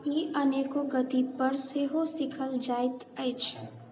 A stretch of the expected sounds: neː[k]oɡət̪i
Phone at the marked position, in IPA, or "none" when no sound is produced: k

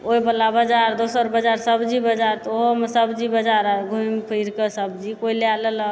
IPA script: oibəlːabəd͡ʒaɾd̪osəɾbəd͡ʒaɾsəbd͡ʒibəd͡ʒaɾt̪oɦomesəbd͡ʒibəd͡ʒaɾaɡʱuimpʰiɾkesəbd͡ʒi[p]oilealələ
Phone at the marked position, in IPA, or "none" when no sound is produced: k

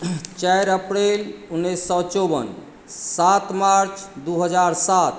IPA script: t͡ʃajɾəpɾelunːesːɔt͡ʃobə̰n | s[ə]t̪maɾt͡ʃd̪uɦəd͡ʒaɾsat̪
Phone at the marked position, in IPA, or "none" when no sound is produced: a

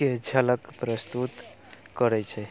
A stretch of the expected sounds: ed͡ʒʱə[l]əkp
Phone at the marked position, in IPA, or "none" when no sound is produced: l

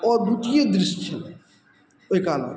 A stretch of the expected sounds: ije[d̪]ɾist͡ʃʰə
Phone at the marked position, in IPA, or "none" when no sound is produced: d̪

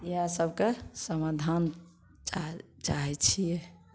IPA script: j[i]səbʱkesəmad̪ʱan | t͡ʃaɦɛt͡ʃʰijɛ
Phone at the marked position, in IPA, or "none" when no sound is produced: a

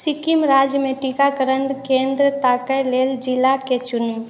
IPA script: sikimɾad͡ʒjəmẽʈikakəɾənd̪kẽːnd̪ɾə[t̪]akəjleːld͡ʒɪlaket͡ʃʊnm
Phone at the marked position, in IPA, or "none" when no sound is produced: t̪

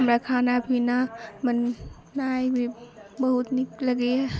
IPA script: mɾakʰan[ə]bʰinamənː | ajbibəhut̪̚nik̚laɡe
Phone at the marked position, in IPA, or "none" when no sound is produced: a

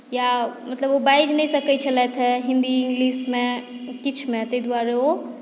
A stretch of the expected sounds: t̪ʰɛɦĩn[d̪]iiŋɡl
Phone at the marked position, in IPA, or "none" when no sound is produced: d̪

